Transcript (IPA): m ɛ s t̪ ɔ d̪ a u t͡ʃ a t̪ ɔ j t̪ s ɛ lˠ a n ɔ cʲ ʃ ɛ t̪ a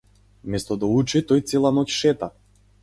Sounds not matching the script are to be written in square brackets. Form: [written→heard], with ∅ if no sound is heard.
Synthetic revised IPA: m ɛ s t̪ ɔ d̪ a u t͡ʃ [a→i] t̪ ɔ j t̪ s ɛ lˠ a n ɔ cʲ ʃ ɛ t̪ a